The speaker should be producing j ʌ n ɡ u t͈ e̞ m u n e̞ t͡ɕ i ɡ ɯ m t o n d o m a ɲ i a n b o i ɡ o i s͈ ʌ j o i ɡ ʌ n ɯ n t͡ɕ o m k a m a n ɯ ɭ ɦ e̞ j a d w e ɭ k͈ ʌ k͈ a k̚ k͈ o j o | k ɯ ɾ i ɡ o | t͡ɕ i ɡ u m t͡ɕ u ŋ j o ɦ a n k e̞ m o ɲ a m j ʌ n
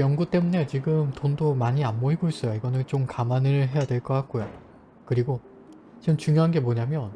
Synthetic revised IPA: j ʌ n ɡ u t͈ e̞ m u n e̞ t͡ɕ i ɡ ɯ m t o n d o m a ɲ i a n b o i ɡ o i s͈ ʌ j o i ɡ ʌ n ɯ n t͡ɕ o m k a m a n ɯ ɭ ɦ e̞ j a d w e ɭ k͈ ʌ k͈ a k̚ k͈ o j o | k ɯ ɾ i ɡ o | t͡ɕ i ɡ ɯ m t͡ɕ u ŋ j o ɦ a n ɡ e̞ m o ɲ a m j ʌ n